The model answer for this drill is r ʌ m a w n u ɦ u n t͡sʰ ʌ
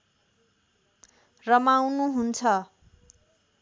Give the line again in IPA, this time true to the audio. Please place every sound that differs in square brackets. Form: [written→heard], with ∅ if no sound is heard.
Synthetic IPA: r ʌ m a w n u ɦ u n t͡sʰ ʌ